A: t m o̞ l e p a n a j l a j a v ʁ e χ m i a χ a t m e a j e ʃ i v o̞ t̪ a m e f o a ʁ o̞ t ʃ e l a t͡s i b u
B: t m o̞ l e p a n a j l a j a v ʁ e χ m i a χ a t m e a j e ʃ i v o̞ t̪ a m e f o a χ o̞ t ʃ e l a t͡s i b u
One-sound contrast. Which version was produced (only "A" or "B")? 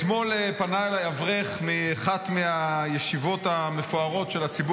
A